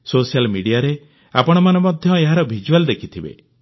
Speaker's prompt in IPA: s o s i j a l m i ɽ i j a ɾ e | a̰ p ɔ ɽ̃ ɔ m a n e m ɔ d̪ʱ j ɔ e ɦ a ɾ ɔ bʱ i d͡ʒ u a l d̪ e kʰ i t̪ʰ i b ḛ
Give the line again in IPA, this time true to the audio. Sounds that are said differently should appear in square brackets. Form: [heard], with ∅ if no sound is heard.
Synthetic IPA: s o s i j a l m i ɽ i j a ɾ e | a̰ p ɔ ɽ̃ ɔ m a n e m ɔ d̪ʱ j ɔ e ɦ a ɾ ɔ bʱ i d͡ʒ u a l d̪ e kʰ i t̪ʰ i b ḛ